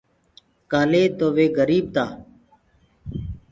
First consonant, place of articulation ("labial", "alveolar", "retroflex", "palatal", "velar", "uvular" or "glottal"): velar